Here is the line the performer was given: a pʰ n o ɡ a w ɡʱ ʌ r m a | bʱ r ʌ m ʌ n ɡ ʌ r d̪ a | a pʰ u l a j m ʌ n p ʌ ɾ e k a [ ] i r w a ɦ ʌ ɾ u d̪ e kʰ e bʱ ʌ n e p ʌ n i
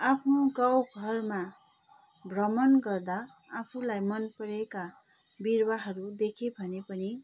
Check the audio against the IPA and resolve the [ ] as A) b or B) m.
A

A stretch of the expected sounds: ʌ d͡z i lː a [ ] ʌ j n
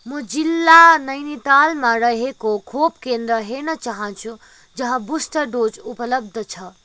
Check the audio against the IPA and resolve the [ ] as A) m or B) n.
B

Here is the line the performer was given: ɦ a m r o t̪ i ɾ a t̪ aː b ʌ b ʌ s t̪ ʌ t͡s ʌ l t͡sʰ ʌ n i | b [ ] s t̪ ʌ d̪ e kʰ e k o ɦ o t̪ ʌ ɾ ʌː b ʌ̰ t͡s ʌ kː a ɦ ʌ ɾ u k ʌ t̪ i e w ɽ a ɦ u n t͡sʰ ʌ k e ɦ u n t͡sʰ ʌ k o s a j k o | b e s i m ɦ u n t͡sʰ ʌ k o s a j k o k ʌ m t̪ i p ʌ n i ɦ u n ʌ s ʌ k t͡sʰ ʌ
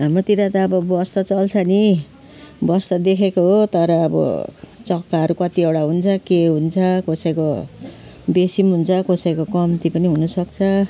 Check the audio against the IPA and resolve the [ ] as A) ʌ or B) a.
A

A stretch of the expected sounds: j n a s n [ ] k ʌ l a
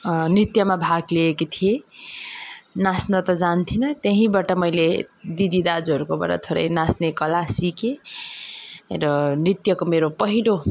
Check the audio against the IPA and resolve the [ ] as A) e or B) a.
A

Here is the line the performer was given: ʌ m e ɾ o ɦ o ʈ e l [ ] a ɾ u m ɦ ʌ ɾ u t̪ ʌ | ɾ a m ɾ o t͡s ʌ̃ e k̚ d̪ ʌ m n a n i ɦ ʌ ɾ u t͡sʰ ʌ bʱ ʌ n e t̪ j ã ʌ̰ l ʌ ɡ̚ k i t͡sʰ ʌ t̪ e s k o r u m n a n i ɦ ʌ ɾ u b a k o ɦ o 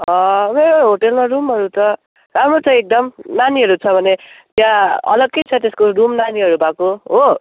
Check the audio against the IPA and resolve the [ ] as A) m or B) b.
A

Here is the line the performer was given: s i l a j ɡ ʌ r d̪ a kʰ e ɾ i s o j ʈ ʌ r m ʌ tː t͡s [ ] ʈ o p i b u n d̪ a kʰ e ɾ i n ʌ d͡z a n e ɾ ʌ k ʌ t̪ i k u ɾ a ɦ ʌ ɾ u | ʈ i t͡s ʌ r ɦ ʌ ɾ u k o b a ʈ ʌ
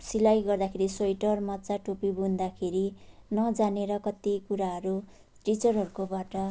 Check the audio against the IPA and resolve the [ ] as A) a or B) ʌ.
A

